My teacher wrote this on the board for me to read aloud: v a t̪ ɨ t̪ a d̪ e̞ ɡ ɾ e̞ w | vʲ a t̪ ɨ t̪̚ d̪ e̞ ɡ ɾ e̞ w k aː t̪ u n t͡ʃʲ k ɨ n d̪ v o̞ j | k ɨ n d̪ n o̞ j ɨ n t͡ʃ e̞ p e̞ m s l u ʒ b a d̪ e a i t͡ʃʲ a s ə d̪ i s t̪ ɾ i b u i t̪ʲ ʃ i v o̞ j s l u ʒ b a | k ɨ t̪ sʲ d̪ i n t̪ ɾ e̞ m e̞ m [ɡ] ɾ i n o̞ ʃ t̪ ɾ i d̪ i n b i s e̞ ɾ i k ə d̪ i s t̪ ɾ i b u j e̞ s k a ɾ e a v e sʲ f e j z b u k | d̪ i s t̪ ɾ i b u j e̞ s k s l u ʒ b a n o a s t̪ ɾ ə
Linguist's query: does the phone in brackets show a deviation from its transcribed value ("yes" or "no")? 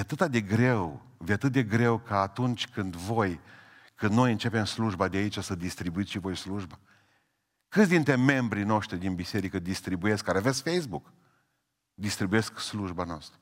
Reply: yes